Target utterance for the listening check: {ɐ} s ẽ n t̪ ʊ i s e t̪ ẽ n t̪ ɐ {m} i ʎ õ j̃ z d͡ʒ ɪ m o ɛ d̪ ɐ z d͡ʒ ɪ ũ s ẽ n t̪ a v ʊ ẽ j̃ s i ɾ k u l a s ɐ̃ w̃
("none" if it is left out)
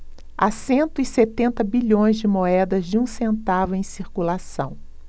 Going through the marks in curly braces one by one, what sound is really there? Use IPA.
a, b

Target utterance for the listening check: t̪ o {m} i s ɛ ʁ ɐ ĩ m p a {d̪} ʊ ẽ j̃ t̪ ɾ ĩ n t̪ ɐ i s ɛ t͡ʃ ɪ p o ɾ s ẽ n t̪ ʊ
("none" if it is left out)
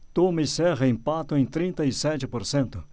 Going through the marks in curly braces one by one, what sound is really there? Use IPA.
m, t̪

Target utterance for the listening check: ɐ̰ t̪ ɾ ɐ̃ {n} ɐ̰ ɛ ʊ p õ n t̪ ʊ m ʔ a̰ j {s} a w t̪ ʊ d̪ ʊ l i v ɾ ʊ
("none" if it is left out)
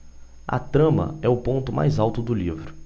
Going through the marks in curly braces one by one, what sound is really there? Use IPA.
m, z

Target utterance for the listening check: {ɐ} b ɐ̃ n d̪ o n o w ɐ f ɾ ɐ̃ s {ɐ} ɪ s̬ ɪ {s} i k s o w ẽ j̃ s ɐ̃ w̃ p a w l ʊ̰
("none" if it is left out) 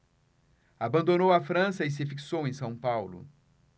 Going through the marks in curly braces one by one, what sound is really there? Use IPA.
a, ɐ, f

